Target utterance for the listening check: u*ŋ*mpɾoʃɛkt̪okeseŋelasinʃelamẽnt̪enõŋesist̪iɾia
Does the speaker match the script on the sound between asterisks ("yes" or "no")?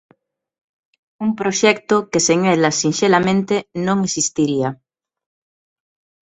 no